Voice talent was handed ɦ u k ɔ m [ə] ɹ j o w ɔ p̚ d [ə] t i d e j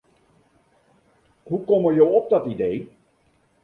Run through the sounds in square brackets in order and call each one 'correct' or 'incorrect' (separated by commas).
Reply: correct, incorrect